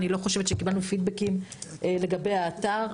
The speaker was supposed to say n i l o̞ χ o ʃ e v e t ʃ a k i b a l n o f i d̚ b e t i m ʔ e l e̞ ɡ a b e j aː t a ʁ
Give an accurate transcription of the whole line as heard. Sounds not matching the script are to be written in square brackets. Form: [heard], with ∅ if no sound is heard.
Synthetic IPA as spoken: n i l o̞ χ o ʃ e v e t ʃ [e] k i b a l n [u] f i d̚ b e [k] i m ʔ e l e̞ ɡ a b e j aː t a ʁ